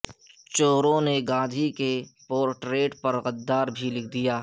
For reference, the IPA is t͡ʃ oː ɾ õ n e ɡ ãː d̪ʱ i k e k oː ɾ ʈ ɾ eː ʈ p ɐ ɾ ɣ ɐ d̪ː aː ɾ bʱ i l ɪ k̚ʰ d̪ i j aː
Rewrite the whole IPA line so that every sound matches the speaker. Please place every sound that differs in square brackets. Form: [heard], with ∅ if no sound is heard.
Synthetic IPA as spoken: t͡ʃ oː ɾ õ n e ɡ ãː d̪ʱ i k e [p] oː ɾ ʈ ɾ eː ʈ p ɐ ɾ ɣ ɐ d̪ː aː ɾ bʱ i l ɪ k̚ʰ d̪ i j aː